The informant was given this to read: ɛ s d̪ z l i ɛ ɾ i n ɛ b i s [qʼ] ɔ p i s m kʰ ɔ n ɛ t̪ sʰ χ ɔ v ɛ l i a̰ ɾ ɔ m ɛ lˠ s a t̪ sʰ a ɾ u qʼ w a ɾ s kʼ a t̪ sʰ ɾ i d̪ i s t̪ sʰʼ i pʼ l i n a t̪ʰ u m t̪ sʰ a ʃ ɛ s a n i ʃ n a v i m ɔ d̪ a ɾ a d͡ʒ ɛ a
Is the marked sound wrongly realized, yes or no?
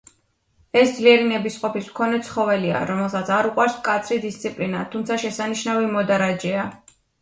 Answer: no